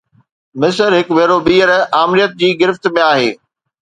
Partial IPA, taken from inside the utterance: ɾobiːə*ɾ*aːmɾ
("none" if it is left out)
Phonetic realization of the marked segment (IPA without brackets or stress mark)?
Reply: ɾ